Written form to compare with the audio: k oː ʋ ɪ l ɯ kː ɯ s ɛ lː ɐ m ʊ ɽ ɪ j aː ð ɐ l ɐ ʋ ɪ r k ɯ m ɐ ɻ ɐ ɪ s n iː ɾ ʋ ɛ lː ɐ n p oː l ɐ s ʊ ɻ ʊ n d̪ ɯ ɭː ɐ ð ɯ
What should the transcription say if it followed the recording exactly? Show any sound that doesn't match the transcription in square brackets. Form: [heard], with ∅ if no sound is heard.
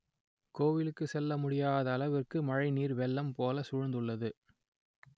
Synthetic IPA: k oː ʋ ɪ l ɯ kː ɯ s ɛ lː ɐ m ʊ ɽ ɪ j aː ð [ɐː] l ɐ ʋ ɪ r k ɯ m ɐ ɻ ɐ ɪ [∅] n iː ɾ ʋ ɛ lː ɐ [m] p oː l ɐ s ʊ ɻ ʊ n d̪ ɯ ɭː ɐ ð ɯ